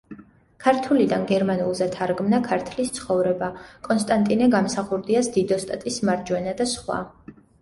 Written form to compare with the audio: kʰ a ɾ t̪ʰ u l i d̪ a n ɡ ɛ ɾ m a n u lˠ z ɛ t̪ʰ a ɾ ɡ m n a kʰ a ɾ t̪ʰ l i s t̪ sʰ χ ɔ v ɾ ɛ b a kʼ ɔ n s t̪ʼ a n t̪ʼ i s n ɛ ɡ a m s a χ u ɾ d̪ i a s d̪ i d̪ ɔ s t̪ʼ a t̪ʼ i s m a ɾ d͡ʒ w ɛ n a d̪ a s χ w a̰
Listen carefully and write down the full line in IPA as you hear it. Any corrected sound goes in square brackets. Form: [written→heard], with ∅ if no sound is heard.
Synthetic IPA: kʰ a ɾ t̪ʰ u l i d̪ a n ɡ ɛ ɾ m a n u lˠ z ɛ t̪ʰ a ɾ ɡ m n a kʰ a ɾ t̪ʰ l i s t̪ sʰ χ ɔ v ɾ ɛ b a kʼ ɔ n s t̪ʼ a n t̪ʼ i [s→∅] n ɛ ɡ a m s a χ u ɾ d̪ i a s d̪ i d̪ ɔ s t̪ʼ a t̪ʼ i s m a ɾ d͡ʒ w ɛ n a d̪ a s χ w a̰